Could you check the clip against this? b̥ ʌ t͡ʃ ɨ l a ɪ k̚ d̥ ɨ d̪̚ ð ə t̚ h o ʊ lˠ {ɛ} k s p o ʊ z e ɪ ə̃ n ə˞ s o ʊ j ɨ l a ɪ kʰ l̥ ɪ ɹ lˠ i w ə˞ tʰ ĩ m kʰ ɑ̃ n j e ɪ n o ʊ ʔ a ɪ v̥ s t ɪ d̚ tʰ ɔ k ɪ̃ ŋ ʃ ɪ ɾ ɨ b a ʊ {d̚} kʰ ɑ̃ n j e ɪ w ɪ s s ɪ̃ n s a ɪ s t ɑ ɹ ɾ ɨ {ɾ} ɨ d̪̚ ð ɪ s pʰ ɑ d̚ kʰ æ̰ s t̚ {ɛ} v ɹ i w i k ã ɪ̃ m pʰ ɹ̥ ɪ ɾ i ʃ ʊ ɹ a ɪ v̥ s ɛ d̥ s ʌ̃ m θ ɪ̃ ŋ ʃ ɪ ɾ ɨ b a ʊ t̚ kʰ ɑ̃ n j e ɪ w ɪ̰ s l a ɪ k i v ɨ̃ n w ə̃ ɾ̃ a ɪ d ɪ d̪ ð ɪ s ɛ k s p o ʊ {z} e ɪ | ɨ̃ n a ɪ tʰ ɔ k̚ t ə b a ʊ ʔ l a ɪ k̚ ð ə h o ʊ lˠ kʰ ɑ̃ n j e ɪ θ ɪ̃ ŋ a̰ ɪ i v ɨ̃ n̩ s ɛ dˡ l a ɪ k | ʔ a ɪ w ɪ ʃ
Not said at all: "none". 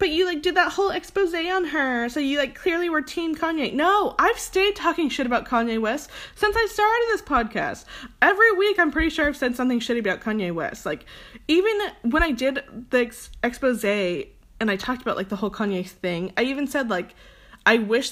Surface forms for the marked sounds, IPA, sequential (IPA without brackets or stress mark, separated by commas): ɛ, t̚, ɾ, ɛ, z